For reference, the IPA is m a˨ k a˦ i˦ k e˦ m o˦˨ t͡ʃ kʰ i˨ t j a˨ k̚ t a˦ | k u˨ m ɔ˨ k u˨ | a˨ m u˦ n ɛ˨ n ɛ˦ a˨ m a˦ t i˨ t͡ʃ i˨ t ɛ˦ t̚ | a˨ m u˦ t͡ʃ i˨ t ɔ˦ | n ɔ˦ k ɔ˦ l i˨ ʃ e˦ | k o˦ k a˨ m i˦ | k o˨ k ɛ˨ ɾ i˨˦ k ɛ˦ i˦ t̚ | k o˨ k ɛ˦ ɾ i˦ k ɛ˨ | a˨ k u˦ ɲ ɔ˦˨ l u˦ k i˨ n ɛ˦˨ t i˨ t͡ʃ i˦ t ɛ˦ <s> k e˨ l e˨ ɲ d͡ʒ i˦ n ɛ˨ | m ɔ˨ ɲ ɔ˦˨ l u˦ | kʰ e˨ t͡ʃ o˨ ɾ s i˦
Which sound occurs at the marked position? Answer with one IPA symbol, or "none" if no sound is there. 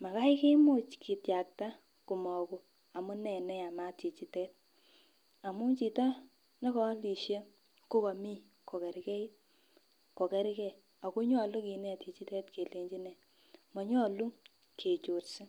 t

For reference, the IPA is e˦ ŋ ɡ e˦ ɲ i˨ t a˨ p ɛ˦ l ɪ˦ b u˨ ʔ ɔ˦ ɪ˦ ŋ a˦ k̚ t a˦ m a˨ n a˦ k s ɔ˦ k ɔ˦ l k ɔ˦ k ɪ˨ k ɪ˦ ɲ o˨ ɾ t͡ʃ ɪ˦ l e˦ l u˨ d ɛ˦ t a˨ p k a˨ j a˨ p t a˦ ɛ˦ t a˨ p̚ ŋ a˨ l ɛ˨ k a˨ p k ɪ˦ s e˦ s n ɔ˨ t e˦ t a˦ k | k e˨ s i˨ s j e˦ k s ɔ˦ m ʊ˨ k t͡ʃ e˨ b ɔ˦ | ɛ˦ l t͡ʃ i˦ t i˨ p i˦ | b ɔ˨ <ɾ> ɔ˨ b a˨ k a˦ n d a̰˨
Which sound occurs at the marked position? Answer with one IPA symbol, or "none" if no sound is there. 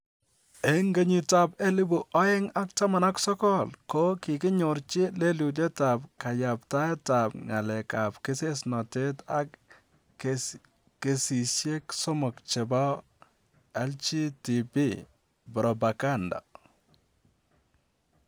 ɾ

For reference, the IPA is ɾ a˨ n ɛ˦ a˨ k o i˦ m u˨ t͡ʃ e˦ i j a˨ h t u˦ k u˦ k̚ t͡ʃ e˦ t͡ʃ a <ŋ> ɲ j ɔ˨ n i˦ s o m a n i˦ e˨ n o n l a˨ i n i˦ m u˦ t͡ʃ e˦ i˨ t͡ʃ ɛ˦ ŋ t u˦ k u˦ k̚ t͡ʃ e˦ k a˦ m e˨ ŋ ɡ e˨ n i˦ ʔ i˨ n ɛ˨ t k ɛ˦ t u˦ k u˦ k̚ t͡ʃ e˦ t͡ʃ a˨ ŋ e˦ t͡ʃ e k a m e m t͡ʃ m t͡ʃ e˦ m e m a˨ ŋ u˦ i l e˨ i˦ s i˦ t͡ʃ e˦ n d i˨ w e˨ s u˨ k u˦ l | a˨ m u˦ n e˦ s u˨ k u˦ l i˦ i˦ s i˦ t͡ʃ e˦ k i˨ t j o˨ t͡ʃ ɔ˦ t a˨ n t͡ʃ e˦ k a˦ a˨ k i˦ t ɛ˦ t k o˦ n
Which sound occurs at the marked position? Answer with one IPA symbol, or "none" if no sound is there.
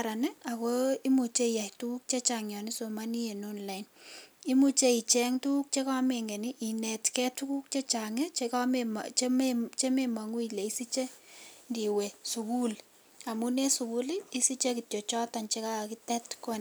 ŋ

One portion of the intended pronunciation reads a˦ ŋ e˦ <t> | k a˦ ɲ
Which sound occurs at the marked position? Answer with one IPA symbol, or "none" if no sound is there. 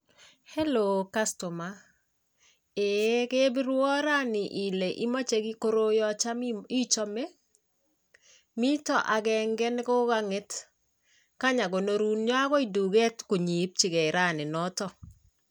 t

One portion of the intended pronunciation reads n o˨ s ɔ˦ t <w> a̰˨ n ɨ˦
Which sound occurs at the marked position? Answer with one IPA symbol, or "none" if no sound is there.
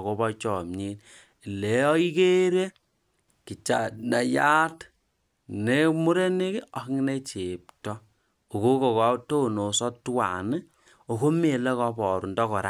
w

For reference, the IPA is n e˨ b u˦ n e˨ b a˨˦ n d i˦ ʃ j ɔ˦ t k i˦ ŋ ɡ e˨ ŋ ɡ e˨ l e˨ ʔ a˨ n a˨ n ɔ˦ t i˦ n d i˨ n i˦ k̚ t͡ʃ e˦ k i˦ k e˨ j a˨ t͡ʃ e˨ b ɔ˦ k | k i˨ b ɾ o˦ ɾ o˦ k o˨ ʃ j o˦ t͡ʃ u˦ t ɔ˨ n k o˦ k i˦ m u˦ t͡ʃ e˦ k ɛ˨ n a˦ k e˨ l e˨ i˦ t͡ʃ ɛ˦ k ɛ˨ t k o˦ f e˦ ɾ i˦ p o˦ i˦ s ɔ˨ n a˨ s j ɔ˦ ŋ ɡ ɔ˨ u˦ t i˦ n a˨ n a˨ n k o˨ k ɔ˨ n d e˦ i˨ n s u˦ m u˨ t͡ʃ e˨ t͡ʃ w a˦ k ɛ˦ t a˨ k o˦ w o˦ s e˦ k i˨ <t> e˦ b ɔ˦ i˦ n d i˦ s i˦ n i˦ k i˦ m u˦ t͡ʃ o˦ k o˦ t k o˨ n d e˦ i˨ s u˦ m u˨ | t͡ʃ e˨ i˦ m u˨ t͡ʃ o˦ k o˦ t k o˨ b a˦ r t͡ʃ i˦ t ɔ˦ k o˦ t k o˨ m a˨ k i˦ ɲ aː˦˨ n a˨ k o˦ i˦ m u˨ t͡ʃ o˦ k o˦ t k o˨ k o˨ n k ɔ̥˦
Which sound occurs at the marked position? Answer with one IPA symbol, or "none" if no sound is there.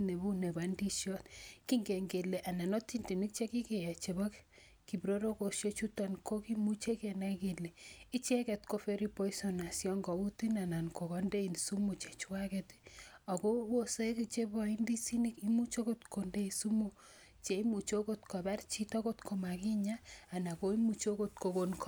t͡ʃ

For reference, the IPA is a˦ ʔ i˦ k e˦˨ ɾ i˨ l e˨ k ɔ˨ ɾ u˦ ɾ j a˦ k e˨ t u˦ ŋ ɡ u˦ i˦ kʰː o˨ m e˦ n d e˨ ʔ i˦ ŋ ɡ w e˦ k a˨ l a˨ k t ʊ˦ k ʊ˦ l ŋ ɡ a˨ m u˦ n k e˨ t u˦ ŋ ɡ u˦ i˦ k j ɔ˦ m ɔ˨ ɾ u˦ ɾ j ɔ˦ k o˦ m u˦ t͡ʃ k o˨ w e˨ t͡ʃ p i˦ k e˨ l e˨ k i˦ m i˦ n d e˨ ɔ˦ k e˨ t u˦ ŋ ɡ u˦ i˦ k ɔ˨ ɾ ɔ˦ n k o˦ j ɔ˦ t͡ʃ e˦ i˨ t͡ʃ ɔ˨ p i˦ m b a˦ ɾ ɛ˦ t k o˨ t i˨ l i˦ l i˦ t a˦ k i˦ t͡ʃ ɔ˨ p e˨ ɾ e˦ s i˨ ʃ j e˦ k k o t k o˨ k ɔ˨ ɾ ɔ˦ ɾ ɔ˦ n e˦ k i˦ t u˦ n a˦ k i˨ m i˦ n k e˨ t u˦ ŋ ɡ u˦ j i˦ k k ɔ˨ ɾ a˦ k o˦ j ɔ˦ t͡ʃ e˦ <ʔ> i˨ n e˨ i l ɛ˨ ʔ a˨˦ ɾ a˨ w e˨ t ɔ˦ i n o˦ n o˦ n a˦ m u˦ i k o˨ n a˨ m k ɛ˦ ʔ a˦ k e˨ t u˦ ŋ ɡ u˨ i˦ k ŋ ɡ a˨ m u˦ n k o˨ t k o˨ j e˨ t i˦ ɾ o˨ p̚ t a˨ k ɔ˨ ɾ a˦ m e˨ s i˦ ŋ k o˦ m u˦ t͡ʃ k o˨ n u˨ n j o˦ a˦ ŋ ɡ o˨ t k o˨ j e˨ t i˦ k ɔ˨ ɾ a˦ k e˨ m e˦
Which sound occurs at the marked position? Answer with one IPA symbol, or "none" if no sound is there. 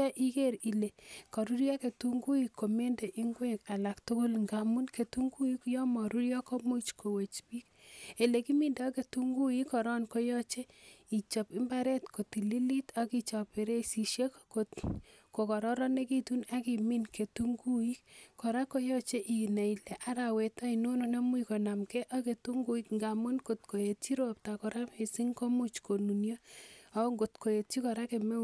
ʔ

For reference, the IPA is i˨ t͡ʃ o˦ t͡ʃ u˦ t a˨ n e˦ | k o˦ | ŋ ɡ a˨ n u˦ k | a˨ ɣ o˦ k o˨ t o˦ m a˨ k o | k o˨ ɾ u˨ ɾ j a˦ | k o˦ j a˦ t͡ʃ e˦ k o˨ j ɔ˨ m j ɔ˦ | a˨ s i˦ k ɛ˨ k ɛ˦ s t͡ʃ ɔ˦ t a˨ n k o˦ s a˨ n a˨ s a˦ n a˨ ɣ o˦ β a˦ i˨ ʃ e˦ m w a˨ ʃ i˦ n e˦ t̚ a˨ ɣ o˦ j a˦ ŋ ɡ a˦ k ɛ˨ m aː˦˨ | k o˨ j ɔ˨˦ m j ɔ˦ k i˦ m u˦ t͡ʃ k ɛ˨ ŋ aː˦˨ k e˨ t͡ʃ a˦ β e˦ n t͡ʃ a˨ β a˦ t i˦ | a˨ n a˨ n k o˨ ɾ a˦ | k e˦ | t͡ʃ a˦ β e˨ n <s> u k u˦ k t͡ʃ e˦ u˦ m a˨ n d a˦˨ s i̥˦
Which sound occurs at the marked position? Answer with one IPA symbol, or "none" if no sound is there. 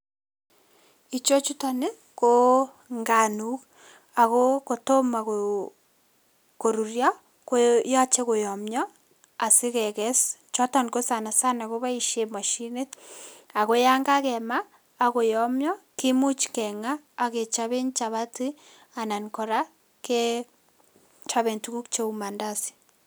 t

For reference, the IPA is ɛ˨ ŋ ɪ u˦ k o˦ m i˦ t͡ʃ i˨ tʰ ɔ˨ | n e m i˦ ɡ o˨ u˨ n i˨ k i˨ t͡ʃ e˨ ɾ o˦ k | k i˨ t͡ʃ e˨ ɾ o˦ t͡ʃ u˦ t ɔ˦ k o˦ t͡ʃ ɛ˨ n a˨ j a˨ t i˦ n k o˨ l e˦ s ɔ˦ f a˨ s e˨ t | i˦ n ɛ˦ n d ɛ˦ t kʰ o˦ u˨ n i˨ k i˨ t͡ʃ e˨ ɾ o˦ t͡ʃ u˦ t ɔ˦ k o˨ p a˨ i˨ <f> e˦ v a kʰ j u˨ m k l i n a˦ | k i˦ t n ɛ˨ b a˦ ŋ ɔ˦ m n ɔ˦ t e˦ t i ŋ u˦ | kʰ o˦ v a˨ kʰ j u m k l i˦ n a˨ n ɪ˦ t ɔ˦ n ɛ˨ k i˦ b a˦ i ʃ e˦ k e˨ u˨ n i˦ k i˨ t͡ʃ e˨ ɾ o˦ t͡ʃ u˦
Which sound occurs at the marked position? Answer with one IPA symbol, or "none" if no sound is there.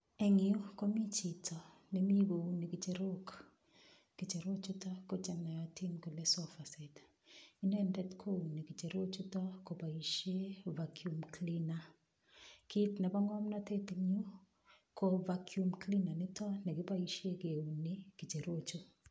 ʃ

